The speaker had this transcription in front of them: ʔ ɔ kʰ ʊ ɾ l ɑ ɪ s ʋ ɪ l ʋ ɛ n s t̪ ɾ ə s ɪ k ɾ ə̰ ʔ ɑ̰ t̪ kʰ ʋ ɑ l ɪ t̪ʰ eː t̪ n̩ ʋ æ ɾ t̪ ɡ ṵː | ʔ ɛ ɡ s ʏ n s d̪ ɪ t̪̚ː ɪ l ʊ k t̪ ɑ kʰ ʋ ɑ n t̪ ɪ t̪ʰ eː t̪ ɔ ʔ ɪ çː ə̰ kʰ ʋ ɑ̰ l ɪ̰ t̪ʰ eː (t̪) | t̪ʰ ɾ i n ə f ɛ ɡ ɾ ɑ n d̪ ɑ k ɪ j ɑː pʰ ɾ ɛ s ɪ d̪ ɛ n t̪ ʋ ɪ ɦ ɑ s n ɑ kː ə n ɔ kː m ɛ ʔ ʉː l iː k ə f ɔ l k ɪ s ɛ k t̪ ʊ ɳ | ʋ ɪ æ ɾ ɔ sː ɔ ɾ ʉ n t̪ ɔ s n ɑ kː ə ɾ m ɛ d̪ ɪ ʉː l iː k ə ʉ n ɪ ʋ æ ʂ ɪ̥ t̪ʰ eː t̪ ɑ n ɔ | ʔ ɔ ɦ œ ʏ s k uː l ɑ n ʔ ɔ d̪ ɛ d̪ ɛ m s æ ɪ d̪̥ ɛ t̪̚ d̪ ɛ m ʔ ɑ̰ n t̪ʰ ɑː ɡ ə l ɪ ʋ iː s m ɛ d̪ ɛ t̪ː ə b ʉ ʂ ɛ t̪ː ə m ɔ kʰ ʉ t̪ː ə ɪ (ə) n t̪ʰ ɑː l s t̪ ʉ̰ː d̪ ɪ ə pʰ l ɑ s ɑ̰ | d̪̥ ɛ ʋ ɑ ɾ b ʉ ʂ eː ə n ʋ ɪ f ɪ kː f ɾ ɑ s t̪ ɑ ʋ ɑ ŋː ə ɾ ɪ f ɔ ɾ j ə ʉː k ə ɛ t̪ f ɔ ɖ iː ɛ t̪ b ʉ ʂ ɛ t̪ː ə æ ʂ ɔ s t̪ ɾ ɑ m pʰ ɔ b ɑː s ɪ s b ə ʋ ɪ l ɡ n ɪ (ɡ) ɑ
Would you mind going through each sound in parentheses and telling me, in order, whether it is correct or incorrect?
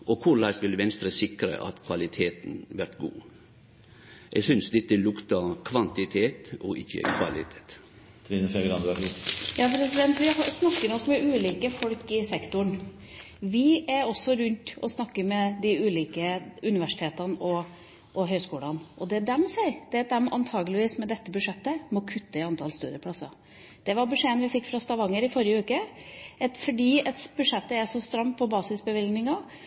correct, incorrect: ɑ, incorrect: ŋ

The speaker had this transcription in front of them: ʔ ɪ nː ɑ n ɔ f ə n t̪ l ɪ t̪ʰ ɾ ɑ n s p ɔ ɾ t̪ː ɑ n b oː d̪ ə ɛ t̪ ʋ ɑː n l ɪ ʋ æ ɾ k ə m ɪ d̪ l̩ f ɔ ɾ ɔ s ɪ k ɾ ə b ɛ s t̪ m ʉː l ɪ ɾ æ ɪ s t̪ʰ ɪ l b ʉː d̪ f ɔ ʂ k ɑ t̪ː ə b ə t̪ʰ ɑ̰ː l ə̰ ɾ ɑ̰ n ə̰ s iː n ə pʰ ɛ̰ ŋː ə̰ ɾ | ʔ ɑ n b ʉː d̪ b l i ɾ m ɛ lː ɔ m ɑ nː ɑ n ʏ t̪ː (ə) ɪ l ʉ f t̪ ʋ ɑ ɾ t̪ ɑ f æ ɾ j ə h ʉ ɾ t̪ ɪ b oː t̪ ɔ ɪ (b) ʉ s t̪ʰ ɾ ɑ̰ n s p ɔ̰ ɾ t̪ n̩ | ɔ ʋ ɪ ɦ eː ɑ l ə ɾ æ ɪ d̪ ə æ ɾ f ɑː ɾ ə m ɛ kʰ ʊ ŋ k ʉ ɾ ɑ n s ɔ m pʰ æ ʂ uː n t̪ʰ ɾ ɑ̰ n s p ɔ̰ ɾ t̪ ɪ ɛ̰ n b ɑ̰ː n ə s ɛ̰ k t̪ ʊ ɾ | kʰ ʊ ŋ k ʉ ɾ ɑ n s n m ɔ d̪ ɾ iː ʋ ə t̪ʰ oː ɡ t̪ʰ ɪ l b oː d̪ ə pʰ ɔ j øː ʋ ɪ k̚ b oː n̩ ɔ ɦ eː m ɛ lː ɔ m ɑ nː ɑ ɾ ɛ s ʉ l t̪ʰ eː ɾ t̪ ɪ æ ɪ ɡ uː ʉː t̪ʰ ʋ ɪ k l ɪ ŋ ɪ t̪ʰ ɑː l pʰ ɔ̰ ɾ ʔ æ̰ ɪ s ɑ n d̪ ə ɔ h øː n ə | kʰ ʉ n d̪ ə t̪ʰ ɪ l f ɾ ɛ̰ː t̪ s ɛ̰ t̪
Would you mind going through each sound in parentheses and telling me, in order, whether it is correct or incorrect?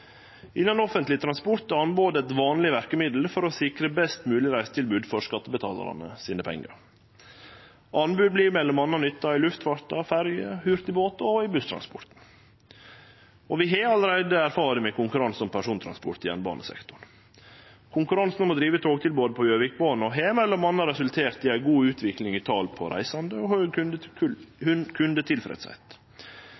incorrect: ɑ, correct

